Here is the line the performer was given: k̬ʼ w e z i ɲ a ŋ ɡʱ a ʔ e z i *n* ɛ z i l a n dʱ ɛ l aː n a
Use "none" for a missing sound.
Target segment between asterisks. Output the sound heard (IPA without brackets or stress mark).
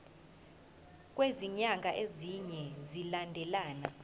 ɲ